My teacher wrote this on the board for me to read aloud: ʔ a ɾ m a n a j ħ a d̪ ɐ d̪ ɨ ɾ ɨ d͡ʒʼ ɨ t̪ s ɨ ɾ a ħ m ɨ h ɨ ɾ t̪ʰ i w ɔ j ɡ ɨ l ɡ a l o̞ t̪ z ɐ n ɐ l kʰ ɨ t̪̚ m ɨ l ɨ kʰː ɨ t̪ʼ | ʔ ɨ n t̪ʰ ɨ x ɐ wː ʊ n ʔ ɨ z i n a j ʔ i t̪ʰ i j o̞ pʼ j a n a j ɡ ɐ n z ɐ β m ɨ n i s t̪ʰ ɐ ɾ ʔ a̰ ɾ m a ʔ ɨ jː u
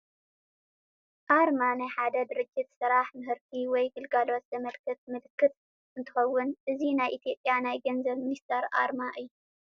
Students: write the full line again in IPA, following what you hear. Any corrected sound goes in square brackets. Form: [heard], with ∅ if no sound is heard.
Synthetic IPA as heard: ʔ a ɾ m a n a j ħ a d̪ ɐ d̪ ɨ ɾ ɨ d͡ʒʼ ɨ t̪ s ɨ ɾ a ħ m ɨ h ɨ ɾ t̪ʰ i w ɔ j ɡ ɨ l ɡ a l o̞ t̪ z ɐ [m] ɐ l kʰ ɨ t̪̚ m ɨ l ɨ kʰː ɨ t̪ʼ | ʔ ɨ n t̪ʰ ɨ x ɐ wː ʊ n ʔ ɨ z i n a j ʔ i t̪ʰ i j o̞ pʼ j a n a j ɡ ɐ n z ɐ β m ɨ n i s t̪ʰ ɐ ɾ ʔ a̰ ɾ m a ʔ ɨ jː u